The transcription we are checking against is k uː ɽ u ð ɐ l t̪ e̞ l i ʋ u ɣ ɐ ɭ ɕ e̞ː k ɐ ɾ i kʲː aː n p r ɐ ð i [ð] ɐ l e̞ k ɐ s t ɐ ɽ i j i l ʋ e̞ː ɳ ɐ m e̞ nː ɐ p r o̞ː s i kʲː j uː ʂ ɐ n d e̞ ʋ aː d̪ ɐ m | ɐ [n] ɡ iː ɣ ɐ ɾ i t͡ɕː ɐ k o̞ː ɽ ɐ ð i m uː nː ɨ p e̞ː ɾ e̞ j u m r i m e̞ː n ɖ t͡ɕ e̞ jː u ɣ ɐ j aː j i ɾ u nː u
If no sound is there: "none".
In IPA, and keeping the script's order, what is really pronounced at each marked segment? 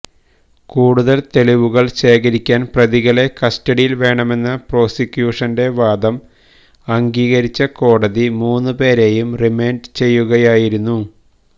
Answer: ɣ, ŋ

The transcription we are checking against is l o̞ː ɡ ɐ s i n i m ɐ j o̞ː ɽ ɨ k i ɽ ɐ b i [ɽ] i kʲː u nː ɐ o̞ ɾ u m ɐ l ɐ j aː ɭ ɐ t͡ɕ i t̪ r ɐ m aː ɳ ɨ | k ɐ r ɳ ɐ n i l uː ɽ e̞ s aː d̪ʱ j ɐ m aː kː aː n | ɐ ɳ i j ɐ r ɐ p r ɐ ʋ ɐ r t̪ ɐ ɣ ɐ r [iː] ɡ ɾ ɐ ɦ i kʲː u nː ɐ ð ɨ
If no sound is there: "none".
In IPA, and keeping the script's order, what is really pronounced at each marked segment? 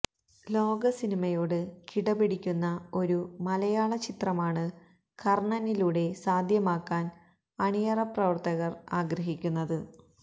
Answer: ɽ, aː

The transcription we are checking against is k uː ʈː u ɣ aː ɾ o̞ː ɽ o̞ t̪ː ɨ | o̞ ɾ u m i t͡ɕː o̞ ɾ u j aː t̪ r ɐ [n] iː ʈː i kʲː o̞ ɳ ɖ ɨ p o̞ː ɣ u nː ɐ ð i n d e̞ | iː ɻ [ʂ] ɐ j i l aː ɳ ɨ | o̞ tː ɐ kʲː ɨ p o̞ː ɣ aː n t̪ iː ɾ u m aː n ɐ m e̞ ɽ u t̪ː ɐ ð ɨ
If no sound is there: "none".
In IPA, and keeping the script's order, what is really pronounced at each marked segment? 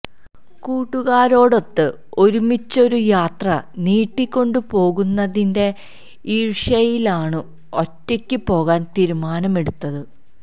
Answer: n, ʂ

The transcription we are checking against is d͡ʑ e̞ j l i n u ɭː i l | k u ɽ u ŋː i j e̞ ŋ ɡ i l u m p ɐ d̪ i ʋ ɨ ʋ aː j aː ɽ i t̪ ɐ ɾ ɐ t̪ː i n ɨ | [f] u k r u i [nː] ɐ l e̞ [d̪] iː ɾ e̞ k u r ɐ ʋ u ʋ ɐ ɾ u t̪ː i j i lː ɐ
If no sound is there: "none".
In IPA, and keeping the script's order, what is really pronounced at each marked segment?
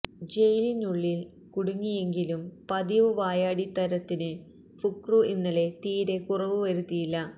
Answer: f, nː, t̪

